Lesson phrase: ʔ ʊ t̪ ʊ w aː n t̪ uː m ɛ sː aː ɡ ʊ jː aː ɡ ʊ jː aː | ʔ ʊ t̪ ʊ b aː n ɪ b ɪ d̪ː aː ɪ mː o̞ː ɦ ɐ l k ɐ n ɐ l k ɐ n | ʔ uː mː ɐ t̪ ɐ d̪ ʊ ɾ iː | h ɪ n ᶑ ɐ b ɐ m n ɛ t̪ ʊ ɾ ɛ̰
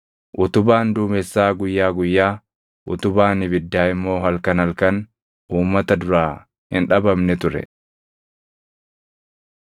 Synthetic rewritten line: ʔ ʊ t̪ ʊ b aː n d̪ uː m ɛ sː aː ɡ ʊ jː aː ɡ ʊ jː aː | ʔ ʊ t̪ ʊ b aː n ɪ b ɪ d̪ː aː ɪ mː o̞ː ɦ ɐ l k ɐ n ɐ l k ɐ n | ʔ uː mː ɐ t̪ ɐ d̪ ʊ ɾ aː | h ɪ n ᶑ ɐ b ɐ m n ɛ t̪ ʊ ɾ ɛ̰